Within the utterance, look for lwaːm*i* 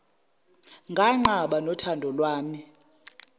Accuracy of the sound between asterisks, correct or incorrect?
correct